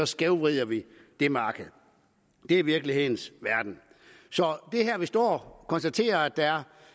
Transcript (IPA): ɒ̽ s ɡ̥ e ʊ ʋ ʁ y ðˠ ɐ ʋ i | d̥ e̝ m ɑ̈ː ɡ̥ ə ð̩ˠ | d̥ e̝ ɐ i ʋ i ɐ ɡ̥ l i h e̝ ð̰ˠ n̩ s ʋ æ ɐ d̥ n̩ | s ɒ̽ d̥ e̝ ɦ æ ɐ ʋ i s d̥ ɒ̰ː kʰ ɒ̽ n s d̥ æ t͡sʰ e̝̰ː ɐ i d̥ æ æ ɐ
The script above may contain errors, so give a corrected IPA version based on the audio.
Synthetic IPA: ɒ̽ s ɡ̥ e ʊ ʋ ʁ i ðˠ ɐ ʋ i | d̥ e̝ m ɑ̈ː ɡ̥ ə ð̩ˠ | d̥ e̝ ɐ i ʋ i ɐ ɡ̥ l i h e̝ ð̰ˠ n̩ s ʋ æ ɐ d̥ n̩ | s ɒ̽ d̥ e̝ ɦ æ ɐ ʋ i s d̥ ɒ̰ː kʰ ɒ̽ n s d̥ æ t͡sʰ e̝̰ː ɐ æ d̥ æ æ ɐ